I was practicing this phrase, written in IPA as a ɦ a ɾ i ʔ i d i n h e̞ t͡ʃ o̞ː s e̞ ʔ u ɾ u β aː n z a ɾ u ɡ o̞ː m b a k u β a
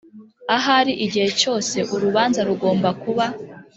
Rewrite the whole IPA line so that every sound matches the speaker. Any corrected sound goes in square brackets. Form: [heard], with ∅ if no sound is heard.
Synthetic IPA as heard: a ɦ a ɾ i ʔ i [ɟ] i [∅] h e̞ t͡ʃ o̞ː s e̞ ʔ u ɾ u β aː n z a ɾ u ɡ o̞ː m b a k u β a